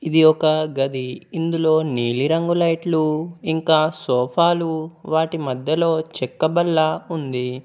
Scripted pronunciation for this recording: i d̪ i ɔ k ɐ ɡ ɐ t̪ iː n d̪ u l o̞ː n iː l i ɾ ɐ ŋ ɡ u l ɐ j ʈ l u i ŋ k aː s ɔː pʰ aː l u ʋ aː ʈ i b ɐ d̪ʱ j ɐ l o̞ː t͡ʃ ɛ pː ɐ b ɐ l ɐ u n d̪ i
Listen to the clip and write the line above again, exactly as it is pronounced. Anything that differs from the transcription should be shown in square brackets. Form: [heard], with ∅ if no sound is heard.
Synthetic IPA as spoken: i d̪ i ɔ k ɐ ɡ ɐ [d̪] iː n d̪ u l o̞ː n iː l i ɾ ɐ ŋ ɡ u l ɐ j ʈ l u i ŋ k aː s ɔː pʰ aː l u ʋ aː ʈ i [m] ɐ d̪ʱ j ɐ l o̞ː t͡ʃ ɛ [kː] ɐ b ɐ [lː] ɐ u n d̪ i

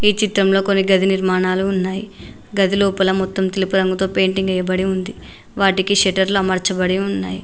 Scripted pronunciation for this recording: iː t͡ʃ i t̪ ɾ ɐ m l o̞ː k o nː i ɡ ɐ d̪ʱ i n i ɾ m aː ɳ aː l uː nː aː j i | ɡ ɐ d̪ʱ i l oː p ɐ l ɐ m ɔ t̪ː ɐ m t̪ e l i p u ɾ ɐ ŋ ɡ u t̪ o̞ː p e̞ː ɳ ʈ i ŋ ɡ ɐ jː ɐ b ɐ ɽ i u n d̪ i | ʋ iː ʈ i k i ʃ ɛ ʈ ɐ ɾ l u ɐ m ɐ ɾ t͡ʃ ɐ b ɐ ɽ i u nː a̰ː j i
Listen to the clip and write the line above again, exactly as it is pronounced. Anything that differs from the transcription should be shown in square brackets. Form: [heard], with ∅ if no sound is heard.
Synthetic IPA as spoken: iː t͡ʃ i t̪ ɾ ɐ m l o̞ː k o nː i ɡ ɐ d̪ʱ i n i ɾ m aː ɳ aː l uː nː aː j i | ɡ ɐ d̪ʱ i l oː p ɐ l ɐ m ɔ t̪ː ɐ m t̪ e l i p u ɾ ɐ ŋ ɡ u t̪ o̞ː p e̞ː ɳ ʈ i ŋ ɡ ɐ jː ɐ b ɐ ɽ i u n d̪ i | ʋ [aː] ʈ i k i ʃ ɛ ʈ ɐ ɾ l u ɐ m ɐ ɾ t͡ʃ ɐ b ɐ ɽ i u nː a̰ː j i

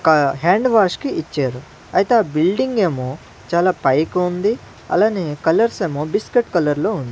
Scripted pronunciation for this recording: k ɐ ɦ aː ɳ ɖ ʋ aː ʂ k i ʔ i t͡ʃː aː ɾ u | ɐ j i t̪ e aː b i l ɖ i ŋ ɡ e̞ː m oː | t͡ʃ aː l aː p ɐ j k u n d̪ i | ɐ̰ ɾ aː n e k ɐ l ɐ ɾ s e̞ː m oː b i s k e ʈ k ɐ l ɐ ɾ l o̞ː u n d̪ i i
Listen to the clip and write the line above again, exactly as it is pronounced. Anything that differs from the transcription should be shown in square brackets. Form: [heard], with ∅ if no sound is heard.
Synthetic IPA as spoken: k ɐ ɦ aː ɳ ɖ ʋ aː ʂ k i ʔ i t͡ʃː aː ɾ u | ɐ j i t̪ e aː b i l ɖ i ŋ ɡ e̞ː m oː | t͡ʃ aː l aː p ɐ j k u n d̪ i | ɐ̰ [l] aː n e k ɐ l ɐ ɾ s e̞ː m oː b i s k e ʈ k ɐ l ɐ ɾ l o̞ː u n d̪ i i

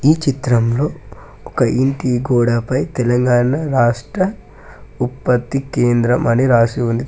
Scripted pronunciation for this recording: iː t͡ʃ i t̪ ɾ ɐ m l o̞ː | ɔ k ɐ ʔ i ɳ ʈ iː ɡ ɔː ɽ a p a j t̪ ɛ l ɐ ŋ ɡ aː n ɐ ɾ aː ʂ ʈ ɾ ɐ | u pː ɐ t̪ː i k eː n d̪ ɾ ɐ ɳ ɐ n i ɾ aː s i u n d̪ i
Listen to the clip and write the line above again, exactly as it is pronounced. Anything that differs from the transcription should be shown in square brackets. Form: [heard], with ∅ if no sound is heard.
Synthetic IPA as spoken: iː t͡ʃ i t̪ ɾ ɐ m l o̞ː | ɔ k ɐ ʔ i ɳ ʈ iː ɡ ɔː ɽ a p [ɐ] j t̪ ɛ l ɐ ŋ ɡ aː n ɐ ɾ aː ʂ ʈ ɾ ɐ | u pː ɐ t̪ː i k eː n d̪ ɾ ɐ [m] ɐ n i ɾ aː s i u n d̪ i

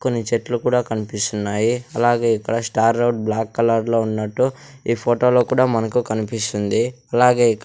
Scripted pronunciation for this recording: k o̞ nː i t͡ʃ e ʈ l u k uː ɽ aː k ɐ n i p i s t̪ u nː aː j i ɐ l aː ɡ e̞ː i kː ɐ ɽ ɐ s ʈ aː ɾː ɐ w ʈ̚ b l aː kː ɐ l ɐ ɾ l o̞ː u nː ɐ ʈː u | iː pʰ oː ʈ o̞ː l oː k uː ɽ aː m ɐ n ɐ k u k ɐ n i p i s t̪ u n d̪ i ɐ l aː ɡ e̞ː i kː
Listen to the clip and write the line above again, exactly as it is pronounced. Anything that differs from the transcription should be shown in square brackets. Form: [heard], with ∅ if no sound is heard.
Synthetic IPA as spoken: k o̞ nː i t͡ʃ e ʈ l u k uː ɽ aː k ɐ n i p i s t̪ u nː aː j i ɐ l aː ɡ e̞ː i kː ɐ ɽ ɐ s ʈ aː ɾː ɐ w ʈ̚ b l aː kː ɐ l ɐ ɾ l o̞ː u nː ɐ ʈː u | iː pʰ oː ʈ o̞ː l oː k uː ɽ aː m ɐ n ɐ k u k ɐ n i p i s t̪ u n d̪ i ɐ l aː ɡ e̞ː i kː

